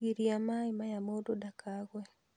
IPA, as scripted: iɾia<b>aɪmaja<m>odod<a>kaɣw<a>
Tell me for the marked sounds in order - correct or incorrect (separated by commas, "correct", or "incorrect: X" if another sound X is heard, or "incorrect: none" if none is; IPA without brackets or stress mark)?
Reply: incorrect: m, correct, correct, incorrect: ɛ